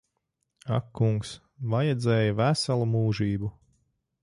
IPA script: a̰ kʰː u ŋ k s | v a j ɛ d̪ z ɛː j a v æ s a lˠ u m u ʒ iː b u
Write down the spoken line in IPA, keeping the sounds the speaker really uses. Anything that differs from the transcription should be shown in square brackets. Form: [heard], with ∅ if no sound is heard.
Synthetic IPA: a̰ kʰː u ŋ k s | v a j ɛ d̪ z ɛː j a v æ s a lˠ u m [uː] ʒ iː b u